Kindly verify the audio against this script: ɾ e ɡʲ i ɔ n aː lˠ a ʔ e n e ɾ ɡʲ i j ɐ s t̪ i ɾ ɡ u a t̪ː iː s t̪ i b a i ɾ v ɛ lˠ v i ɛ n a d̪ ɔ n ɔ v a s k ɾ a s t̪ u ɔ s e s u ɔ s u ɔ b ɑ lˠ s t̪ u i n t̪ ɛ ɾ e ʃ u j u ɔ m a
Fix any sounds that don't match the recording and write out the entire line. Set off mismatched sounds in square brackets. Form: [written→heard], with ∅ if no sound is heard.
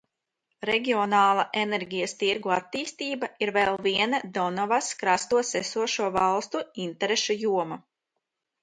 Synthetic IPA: ɾ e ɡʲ i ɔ n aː lˠ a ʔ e n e ɾ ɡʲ i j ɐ s t̪ i ɾ ɡ u a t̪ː iː s t̪ [i→iː] b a i ɾ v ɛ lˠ v i ɛ n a d̪ ɔ n ɔ v a s k ɾ a s t̪ u ɔ s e s u ɔ [s→ʃ] u ɔ [b→v] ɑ lˠ s t̪ u i n t̪ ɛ ɾ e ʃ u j u ɔ m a